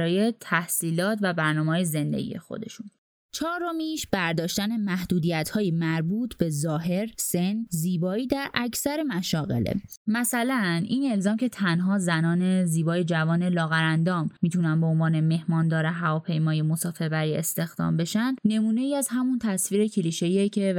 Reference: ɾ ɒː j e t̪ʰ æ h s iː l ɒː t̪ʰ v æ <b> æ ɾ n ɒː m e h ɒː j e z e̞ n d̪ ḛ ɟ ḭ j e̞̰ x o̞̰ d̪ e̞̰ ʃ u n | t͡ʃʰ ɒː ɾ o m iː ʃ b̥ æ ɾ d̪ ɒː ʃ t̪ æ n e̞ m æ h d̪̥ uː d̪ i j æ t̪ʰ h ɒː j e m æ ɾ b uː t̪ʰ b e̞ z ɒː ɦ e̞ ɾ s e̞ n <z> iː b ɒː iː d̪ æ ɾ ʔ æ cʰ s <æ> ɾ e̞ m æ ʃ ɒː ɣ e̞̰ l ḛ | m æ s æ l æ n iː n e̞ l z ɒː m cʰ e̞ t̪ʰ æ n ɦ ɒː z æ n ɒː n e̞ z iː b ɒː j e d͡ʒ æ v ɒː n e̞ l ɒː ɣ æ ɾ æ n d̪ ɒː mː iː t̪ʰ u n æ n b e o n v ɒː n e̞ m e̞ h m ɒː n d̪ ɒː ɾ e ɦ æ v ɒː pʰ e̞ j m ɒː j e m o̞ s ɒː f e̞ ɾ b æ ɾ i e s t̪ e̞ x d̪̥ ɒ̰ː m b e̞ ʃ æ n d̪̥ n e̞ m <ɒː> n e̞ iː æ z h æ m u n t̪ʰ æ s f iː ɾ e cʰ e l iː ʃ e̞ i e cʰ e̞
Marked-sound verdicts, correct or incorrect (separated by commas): correct, correct, correct, incorrect